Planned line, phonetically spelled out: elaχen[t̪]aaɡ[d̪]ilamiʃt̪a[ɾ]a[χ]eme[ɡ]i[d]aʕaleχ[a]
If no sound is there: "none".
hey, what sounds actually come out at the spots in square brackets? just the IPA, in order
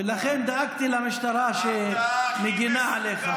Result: d̪, t̪, ɾ, ʃ, ɡ, n, a

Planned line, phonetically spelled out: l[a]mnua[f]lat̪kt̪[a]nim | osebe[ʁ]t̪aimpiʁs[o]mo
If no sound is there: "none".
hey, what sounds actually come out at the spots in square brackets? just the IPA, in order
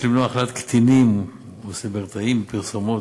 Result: i, χ, i, ʁ, o

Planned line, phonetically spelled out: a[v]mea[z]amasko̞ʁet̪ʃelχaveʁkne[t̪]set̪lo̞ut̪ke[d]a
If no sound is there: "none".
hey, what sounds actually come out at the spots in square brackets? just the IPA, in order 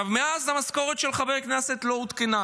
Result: v, z, none, n

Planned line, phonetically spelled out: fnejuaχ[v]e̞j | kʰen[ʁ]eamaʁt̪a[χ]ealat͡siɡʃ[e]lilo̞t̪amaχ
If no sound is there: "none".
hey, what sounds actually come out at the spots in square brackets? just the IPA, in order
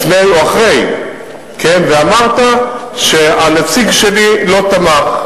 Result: ʁ, v, ʃ, e

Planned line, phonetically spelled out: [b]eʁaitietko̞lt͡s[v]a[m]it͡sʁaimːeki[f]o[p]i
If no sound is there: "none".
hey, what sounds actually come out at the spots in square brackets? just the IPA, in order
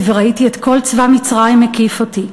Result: v, v, m, f, t

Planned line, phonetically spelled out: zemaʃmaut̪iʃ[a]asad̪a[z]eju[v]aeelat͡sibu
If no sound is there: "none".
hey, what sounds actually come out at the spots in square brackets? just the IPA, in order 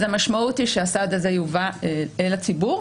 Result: e, z, v

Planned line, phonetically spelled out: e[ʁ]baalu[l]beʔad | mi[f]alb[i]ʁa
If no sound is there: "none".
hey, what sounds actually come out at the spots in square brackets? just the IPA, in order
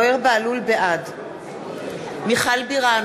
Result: ʁ, l, χ, i

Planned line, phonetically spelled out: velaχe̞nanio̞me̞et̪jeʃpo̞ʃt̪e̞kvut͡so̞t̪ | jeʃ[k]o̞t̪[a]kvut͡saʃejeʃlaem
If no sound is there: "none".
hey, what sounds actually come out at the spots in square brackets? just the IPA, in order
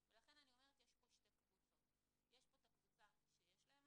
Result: p, a

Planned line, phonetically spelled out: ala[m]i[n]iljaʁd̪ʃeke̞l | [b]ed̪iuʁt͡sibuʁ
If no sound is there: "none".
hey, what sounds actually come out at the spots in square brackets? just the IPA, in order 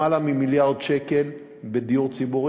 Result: m, m, b

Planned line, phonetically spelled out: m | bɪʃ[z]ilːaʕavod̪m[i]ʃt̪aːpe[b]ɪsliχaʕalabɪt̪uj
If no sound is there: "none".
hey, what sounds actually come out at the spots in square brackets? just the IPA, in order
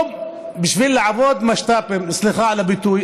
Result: v, a, m

